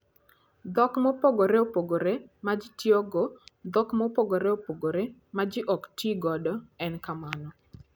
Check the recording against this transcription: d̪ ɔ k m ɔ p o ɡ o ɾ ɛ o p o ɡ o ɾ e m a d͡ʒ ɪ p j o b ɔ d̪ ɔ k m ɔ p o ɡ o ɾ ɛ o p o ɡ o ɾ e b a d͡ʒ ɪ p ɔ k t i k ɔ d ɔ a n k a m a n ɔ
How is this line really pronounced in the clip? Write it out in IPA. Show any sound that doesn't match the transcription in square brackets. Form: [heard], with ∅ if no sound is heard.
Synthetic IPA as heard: d̪ ɔ k m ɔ p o ɡ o ɾ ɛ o p o ɡ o ɾ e m a d͡ʒ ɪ [t] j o [ɡ] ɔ d̪ ɔ k m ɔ p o ɡ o ɾ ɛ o p o ɡ o ɾ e [m] a d͡ʒ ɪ [ʔ] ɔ k t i [ɡ] ɔ d ɔ [ɛ] n k a m a n ɔ